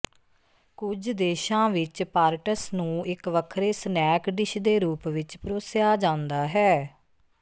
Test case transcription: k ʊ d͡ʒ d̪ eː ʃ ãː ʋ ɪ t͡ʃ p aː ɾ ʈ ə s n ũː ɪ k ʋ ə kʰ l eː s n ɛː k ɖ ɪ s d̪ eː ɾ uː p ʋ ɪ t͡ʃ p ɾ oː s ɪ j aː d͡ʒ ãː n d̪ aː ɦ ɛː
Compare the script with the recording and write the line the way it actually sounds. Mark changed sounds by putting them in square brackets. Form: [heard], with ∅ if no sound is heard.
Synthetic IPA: k ʊ d͡ʒ d̪ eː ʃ ãː ʋ ɪ t͡ʃ p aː ɾ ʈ ə s n ũː ɪ k ʋ ə kʰ [ɾ] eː s n ɛː k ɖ ɪ [ʃ] d̪ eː ɾ uː p ʋ ɪ t͡ʃ p ɾ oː s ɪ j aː d͡ʒ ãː n d̪ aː ɦ ɛː